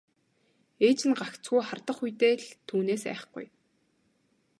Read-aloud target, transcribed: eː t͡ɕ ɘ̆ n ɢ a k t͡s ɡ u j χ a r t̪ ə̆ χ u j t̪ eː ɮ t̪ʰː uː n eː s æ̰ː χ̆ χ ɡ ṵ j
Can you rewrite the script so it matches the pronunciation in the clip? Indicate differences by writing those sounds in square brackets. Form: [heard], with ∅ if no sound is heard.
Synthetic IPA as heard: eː t͡ɕ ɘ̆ n ɢ a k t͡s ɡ u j χ a r t̪ ə̆ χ u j t̪ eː ɮ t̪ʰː uː n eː s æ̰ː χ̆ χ ɡ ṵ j

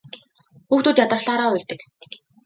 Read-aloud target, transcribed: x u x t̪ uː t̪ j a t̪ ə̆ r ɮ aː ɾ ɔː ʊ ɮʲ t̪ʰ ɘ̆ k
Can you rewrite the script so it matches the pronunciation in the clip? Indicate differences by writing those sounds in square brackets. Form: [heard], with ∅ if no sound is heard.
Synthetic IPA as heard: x [uː] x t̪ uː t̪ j a t̪ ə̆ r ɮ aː ɾ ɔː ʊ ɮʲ [t̪] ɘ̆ k

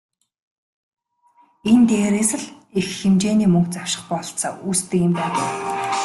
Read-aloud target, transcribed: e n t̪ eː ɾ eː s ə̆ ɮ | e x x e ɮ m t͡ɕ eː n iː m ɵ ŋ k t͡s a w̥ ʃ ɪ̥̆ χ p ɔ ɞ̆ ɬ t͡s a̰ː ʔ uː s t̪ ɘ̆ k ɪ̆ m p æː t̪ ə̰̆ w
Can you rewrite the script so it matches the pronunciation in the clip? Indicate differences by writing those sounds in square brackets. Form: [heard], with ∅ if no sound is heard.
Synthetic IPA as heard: e n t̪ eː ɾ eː s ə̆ ɮ | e x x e [∅] m t͡ɕ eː n iː m ɵ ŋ k t͡s a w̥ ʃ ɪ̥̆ χ p ɔ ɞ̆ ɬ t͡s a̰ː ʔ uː s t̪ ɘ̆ k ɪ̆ m p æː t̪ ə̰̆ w

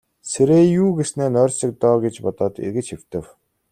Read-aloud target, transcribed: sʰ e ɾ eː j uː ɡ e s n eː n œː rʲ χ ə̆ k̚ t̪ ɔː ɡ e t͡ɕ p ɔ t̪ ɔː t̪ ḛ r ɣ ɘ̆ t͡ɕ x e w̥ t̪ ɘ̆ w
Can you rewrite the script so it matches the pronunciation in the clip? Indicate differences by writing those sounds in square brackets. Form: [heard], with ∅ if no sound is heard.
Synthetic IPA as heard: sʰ e ɾ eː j uː ɡ e s n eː n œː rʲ [s] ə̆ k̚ t̪ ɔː ɡ e t͡ɕ p ɔ t̪ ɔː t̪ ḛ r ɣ ɘ̆ t͡ɕ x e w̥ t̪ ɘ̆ w

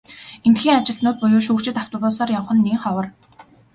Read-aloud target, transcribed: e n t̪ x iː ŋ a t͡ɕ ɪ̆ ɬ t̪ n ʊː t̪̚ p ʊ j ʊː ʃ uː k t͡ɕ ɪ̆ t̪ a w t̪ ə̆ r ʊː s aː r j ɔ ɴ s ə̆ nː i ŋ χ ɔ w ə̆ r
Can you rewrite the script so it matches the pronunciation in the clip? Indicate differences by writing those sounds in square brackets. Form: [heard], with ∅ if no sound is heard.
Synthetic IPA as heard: e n t̪ x iː ŋ a t͡ɕ ɪ̆ ɬ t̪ n ʊː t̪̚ p ʊ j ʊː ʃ uː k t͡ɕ ɪ̆ t̪ a w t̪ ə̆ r ʊː s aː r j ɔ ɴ [χ] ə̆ nː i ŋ χ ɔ w ə̆ r

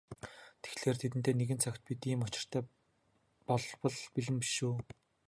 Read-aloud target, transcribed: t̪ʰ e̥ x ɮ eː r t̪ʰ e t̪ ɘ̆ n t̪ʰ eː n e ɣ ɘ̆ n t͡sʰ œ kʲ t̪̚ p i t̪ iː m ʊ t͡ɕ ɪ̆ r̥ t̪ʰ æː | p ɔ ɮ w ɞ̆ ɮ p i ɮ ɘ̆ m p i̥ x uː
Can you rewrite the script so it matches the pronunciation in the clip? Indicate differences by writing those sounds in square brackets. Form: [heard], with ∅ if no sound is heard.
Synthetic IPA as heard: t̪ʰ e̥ x ɮ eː r t̪ʰ e t̪ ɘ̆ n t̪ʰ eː n e ɣ ɘ̆ n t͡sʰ œ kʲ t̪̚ p i t̪ iː m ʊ t͡ɕ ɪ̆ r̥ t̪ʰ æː | p ɔ ɮ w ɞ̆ ɮ p i ɮ ɘ̆ m p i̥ [ʃ] uː

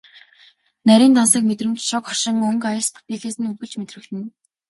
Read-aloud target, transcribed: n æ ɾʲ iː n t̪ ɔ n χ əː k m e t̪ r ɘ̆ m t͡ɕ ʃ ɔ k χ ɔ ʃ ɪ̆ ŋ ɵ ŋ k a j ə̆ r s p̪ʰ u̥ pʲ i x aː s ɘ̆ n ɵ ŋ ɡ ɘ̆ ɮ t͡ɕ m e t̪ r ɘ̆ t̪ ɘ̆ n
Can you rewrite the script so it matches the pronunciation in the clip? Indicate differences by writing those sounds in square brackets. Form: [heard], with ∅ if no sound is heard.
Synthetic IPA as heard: n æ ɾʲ iː n t̪ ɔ n [s] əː k m e t̪ r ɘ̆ m t͡ɕ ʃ ɔ k χ ɔ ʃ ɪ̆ ŋ ɵ ŋ k a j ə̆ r s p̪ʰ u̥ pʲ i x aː s ɘ̆ n ɵ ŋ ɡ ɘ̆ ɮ t͡ɕ m e t̪ r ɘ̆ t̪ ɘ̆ n

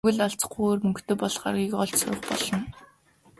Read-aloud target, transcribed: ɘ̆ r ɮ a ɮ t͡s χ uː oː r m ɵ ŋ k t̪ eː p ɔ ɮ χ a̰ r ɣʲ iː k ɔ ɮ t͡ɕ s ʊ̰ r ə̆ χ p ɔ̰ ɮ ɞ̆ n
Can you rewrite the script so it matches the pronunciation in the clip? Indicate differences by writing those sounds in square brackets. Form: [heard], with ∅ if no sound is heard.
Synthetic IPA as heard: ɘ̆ [∅] ɮ a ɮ t͡s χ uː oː r m ɵ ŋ k t̪ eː p ɔ ɮ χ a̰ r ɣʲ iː k ɔ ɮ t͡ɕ s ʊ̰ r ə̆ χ p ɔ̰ ɮ ɞ̆ n

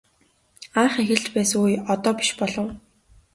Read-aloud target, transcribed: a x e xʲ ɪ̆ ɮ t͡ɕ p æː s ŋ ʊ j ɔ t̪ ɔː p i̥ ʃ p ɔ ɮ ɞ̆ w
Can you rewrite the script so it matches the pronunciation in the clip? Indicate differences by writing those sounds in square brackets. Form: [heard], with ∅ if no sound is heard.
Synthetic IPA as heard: a [χ] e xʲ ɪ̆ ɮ t͡ɕ p æː s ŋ [u] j ɔ t̪ ɔː p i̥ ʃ p ɔ ɮ ɞ̆ w

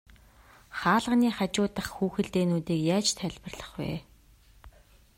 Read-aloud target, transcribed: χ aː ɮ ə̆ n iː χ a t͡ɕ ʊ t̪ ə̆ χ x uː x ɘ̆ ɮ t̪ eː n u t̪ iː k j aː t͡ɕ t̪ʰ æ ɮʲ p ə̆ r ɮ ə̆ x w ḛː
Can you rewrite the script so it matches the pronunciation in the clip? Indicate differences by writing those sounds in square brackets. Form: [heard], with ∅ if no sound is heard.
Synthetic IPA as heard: χ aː ɮ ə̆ n iː χ a t͡ɕ [ʊː] t̪ ə̆ χ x uː x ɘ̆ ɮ t̪ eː n [uː] t̪ iː k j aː t͡ɕ t̪ʰ æ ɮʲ p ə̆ r ɮ ə̆ [χ] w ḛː

